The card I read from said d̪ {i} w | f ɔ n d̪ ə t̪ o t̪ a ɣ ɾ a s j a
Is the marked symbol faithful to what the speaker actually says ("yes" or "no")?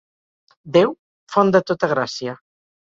no